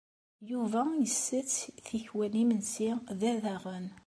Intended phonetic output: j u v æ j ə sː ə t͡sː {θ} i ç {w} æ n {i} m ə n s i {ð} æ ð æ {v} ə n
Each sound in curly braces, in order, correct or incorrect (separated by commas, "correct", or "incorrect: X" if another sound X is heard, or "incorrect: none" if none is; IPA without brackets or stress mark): correct, correct, correct, correct, incorrect: ʁ